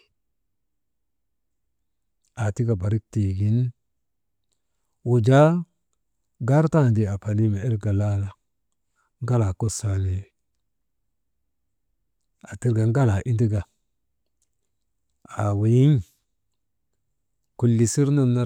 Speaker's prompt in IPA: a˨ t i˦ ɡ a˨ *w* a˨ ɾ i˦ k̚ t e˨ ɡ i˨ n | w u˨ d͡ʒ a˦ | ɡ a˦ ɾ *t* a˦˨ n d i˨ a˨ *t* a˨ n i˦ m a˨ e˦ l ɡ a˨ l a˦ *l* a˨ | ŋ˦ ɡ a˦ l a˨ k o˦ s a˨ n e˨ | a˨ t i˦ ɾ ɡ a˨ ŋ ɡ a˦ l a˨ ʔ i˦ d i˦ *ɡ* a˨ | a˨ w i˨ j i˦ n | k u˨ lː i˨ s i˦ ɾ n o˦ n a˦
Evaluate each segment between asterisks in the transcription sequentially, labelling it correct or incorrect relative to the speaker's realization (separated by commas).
incorrect, correct, incorrect, correct, correct